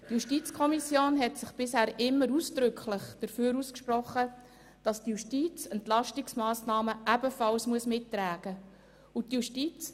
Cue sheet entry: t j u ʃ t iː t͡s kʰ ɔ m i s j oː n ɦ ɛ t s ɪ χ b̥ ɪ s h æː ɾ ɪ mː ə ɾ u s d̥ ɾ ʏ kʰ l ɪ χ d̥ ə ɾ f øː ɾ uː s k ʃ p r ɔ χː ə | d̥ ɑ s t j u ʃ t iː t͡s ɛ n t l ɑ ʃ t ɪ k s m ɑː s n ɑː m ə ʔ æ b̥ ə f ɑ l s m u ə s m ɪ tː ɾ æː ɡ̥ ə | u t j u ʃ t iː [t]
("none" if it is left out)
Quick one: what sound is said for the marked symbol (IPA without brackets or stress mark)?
t͡s